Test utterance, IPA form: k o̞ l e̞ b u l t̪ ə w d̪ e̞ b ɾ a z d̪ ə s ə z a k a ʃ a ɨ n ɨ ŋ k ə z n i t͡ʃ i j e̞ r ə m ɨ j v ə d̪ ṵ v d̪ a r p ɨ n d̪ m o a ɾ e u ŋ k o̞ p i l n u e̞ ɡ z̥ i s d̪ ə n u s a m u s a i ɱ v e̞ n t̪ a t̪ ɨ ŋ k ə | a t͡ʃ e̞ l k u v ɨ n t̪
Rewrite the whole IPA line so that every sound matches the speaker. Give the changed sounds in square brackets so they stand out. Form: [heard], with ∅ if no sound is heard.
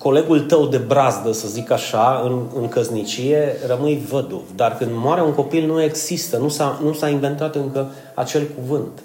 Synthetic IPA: k o̞ l e̞ [ɡ] u l t̪ ə w d̪ e̞ b ɾ a z d̪ ə s ə z [i] k a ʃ a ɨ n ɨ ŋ k ə z n i t͡ʃ i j e̞ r ə m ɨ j v ə d̪ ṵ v d̪ a r [k] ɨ n d̪ m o a ɾ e u ŋ k o̞ p i l n u e̞ ɡ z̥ i s [t̪] ə n u s a [n] u s a i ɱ v e̞ n t̪ a t̪ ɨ ŋ k ə | a t͡ʃ e̞ l k u v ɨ n t̪